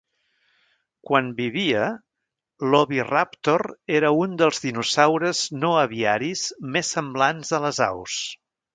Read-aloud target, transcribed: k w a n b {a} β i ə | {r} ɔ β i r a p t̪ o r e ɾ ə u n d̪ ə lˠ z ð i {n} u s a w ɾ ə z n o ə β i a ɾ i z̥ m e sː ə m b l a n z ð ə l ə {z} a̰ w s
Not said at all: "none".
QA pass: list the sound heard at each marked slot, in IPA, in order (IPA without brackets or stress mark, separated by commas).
i, l, n, z